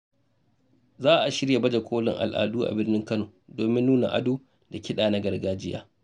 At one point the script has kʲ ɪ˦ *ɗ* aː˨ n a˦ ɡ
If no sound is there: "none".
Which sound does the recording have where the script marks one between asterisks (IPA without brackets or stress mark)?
ɗ